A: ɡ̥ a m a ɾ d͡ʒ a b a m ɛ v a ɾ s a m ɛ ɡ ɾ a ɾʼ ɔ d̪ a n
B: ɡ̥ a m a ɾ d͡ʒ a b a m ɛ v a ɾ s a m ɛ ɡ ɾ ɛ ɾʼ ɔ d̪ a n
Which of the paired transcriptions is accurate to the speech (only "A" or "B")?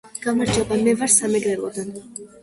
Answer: B